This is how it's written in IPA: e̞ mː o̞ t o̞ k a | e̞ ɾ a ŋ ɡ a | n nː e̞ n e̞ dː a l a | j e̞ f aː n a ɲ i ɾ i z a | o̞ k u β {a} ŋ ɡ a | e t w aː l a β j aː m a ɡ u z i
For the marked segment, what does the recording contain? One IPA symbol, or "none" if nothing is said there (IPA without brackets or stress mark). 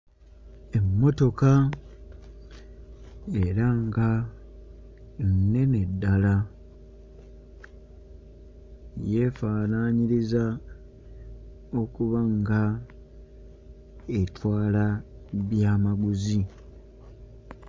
a